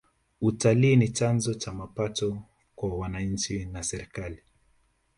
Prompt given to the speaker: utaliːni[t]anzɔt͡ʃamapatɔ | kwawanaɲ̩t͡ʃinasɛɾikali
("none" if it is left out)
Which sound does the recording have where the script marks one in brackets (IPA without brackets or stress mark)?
t͡ʃ